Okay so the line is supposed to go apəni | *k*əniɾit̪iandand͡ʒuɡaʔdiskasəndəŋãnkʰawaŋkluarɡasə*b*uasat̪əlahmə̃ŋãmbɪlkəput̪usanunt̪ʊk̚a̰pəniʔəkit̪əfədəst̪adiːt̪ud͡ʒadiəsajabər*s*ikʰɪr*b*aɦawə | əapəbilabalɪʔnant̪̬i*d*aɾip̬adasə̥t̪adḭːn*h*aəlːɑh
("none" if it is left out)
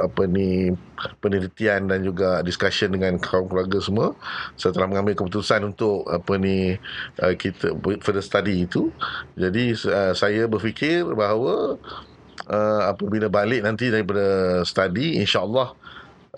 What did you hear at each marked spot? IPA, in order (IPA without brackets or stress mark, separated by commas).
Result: p, m, f, b, d, ʃ